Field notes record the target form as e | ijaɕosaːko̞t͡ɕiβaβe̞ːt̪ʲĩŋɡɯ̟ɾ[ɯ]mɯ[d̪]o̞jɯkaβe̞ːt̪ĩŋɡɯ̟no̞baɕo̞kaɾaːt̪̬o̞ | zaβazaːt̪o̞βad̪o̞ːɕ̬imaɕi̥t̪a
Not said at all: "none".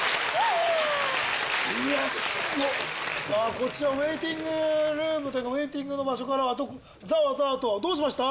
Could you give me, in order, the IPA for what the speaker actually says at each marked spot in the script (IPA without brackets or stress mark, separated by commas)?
ɯː, t̪